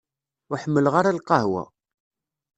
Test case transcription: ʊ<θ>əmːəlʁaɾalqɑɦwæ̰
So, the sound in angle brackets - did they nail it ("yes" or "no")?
no